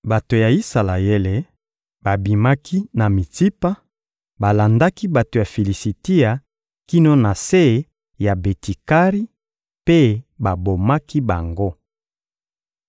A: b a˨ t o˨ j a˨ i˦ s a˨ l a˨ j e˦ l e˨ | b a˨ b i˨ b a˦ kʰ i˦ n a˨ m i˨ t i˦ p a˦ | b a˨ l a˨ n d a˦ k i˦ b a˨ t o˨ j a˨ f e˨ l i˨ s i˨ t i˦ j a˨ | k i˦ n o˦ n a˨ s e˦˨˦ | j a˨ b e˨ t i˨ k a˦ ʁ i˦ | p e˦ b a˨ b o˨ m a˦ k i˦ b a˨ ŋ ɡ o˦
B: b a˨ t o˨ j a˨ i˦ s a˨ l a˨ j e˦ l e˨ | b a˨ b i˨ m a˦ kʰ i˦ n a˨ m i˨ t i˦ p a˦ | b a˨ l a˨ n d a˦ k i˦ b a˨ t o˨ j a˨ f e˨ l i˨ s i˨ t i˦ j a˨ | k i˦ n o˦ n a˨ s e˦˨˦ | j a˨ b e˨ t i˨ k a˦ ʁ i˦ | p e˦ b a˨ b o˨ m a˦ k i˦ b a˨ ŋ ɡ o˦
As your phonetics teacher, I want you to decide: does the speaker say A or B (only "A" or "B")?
B